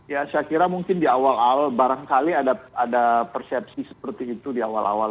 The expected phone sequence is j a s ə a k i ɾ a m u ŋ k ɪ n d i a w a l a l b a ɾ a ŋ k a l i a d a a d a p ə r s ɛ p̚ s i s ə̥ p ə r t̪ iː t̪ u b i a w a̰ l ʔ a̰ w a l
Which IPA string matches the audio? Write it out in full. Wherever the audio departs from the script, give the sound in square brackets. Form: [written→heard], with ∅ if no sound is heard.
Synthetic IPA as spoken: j a s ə a k i ɾ a m u ŋ k ɪ n d i a w a l a l b a ɾ a ŋ k a l i a d a a d a p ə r s ɛ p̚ s i s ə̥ p ə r t̪ iː t̪ u [b→d] i a w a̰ l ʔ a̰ w a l